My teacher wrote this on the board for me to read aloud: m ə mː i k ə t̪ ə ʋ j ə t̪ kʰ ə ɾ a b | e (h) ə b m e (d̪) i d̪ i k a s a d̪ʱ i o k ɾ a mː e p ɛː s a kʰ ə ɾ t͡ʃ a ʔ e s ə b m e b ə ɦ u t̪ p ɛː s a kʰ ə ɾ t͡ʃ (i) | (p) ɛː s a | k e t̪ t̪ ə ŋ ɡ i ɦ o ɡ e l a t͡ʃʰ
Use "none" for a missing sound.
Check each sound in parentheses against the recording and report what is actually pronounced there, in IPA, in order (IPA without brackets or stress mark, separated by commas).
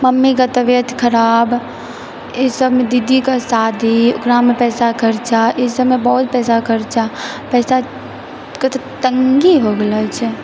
s, d̪, a, p